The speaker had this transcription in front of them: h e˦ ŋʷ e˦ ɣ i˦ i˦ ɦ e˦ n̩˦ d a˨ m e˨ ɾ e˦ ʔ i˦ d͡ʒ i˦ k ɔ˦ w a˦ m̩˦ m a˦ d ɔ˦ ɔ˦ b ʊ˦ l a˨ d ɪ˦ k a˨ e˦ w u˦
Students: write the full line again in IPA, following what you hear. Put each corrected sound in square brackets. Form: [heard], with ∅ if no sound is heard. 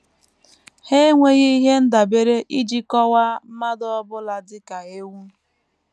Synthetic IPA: h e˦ ŋʷ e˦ ɣ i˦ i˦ ɦ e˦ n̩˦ d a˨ [b] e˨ ɾ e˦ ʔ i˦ d͡ʒ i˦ k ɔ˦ w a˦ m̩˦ m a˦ d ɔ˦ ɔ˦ b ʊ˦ l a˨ d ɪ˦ k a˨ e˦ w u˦